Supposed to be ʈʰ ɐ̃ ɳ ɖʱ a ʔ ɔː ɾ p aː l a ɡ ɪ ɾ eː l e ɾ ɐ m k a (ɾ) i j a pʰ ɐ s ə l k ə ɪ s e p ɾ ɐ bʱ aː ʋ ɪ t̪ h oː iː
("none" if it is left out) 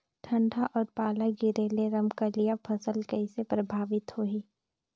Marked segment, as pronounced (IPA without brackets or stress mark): l